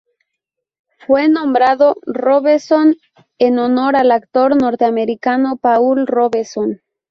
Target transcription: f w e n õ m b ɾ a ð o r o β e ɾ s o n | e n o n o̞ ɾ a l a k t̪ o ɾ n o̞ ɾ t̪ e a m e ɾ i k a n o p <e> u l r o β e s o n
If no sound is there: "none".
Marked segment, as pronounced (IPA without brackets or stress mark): a